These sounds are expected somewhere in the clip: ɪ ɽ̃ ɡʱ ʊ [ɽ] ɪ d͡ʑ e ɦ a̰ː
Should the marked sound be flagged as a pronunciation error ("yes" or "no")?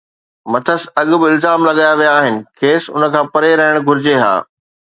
yes